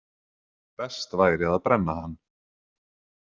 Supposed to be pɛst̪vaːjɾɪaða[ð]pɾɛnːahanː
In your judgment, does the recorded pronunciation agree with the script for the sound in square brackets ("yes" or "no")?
yes